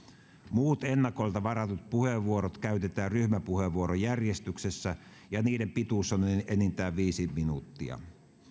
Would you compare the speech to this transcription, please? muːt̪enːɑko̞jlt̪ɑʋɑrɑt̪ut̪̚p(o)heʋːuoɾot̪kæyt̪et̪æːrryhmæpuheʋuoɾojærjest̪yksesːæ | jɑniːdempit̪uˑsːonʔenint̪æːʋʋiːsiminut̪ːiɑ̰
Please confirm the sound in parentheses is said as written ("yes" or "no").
no